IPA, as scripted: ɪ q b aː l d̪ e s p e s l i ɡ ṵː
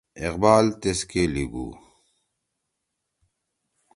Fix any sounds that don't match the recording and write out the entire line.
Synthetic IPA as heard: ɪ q b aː l t̪ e s k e l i ɡ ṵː

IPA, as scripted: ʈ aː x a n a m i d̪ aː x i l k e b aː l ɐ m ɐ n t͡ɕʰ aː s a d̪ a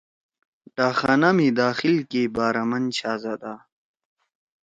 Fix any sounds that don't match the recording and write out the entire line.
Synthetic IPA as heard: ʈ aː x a n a m i d̪ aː x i l k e b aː ɾ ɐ m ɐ n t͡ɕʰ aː z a d̪ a

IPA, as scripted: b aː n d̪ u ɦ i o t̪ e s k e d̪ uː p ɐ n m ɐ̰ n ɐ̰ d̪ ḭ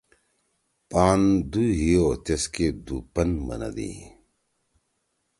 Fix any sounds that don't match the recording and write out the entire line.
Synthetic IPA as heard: p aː n d̪ u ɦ i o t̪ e s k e d̪ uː p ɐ n m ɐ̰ n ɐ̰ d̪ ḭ

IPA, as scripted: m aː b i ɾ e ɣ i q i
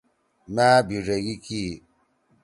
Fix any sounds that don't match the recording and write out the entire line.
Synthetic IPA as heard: m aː b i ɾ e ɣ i k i

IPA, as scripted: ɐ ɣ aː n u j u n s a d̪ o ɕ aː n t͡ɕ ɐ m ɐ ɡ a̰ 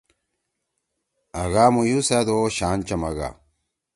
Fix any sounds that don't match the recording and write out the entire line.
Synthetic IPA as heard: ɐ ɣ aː m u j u s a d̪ o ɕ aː n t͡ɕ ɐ m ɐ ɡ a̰

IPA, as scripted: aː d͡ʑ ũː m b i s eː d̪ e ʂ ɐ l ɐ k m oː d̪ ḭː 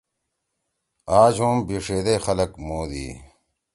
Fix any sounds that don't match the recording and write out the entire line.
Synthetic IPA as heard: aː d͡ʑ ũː m b i ʂ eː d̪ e x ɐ l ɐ k m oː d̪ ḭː

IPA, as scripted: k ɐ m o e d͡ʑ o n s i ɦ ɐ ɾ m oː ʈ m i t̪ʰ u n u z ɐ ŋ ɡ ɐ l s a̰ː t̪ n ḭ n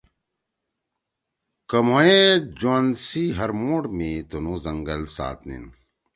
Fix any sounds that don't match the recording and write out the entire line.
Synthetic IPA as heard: k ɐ m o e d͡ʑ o n s i ɦ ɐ ɾ m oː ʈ m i t̪ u n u z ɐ ŋ ɡ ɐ l s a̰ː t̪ n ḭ n

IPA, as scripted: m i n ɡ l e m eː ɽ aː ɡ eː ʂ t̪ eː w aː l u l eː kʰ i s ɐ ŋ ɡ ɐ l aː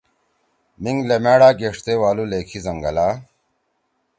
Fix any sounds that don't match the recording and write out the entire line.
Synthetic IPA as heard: m i ŋ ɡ l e m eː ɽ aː ɡ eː ʂ t̪ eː w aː l u l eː kʰ i z ɐ ŋ ɡ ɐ l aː

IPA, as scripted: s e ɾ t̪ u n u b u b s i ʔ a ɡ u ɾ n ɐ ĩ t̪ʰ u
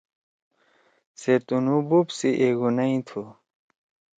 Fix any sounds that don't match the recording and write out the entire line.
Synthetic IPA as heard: s e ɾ t̪ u n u b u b s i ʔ e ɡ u n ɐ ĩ t̪ʰ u

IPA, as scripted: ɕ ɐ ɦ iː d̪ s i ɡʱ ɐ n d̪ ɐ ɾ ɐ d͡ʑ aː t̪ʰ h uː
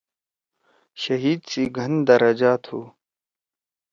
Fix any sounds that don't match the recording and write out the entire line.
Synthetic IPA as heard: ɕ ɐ ɦ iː d̪ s i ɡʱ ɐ n d̪ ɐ ɾ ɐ d͡ʑ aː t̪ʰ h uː

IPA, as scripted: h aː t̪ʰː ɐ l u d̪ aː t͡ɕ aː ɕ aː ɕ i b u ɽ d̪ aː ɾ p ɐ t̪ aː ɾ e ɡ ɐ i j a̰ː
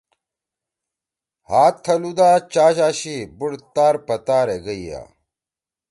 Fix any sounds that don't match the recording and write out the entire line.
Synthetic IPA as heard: h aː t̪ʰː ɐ l u d̪ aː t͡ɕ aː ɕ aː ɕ i b u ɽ t̪ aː ɾ p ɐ t̪ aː ɾ e ɡ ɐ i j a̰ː

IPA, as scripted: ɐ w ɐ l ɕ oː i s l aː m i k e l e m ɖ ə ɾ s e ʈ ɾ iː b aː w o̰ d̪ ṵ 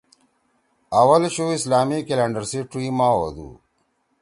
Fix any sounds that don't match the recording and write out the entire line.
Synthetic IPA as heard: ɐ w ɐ l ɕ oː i s l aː m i k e l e ɳ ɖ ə ɾ s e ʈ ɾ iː m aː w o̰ d̪ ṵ

